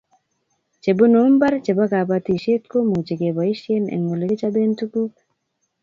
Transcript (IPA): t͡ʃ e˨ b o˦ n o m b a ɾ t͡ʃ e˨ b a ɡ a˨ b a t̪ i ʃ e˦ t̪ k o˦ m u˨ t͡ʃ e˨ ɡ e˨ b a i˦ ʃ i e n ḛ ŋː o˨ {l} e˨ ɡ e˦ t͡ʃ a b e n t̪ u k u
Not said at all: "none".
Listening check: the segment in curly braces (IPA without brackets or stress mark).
l